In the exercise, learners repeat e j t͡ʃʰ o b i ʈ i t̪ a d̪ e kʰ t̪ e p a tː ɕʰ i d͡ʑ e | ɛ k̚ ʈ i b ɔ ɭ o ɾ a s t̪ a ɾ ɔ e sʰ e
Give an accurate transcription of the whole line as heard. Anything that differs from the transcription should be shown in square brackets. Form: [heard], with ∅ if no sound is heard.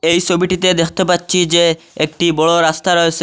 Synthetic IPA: e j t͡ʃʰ o b i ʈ i t̪ [e] d̪ e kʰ t̪ e p a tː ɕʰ i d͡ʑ e | [e] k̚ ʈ i b ɔ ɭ o ɾ a s t̪ a ɾ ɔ e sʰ e